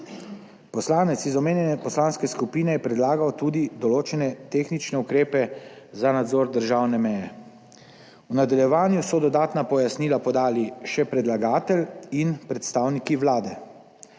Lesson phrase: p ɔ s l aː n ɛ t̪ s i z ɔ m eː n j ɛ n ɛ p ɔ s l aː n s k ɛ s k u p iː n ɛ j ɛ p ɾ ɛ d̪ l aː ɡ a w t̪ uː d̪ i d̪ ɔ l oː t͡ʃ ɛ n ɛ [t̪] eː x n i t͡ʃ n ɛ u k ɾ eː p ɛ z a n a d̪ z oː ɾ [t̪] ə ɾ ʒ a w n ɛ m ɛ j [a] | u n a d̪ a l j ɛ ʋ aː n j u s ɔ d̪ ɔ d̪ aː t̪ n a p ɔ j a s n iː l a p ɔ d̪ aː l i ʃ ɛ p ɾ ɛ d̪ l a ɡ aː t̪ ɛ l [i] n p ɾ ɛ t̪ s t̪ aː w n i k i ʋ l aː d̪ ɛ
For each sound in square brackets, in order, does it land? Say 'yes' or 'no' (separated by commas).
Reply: yes, no, no, yes